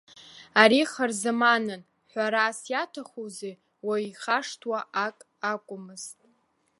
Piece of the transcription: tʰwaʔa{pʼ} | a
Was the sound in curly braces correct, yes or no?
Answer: no